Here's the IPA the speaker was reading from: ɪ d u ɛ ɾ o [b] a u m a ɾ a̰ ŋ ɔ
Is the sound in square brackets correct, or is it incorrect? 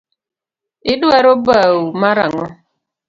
correct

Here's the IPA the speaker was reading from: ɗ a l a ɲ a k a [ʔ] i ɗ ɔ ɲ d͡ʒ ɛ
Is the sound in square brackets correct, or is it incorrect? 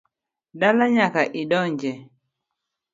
correct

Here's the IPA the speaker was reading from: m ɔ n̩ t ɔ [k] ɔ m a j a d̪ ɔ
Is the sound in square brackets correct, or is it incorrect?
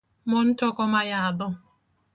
correct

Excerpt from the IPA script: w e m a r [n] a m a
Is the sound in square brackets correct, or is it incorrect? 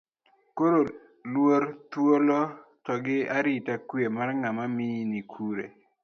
incorrect: ŋ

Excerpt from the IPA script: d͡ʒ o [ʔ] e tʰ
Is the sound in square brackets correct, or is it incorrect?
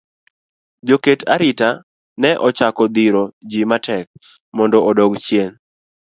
incorrect: k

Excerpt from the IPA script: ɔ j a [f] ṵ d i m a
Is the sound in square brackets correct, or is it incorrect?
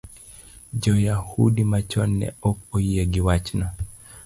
incorrect: h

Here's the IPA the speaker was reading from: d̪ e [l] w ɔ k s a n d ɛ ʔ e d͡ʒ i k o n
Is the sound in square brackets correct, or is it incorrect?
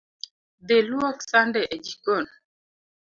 correct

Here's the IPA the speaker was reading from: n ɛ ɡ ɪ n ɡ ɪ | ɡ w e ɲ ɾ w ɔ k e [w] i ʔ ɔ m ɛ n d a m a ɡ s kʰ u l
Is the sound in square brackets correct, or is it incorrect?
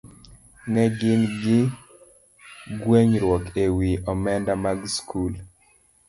correct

